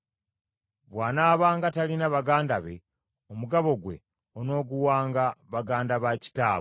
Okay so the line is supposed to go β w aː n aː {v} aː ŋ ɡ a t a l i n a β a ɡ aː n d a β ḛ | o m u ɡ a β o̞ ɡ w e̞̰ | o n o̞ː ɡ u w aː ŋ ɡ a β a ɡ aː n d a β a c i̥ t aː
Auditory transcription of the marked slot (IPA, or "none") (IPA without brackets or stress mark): β